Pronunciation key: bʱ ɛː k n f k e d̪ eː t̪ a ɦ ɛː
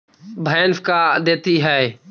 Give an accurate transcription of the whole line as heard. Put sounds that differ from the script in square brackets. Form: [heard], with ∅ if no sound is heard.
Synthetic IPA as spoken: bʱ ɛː [∅] n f k [a] d̪ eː t̪ [i] ɦ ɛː